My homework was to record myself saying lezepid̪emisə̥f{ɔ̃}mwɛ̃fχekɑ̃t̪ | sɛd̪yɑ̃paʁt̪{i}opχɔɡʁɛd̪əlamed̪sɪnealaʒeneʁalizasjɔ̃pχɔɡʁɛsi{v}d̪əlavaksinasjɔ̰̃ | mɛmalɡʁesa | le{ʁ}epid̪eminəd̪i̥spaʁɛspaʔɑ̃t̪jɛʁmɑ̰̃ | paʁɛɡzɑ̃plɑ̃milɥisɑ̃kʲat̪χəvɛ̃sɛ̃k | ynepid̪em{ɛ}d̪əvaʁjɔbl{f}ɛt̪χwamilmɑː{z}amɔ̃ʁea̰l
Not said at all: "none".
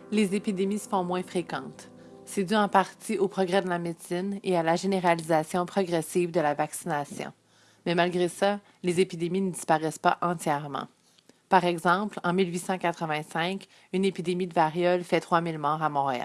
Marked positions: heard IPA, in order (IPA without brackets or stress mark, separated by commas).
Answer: ɔ̃, i, v, z, i, f, ʁ